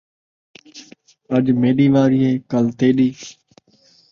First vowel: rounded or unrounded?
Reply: unrounded